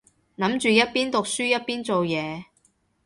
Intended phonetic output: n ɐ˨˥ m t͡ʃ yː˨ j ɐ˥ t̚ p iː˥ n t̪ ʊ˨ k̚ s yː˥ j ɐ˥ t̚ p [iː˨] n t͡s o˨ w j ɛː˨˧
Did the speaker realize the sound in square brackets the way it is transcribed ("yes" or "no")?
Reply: no